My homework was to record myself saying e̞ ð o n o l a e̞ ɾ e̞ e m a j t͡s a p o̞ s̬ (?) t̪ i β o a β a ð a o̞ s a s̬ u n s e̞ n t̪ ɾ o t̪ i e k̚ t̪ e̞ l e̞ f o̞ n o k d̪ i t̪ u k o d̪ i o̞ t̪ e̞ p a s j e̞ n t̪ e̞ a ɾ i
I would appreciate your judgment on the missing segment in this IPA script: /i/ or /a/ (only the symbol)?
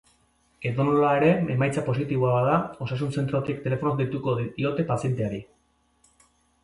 i